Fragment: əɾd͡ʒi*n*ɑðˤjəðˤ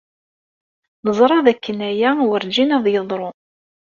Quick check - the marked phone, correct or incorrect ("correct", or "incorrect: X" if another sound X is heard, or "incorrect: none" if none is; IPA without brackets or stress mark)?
correct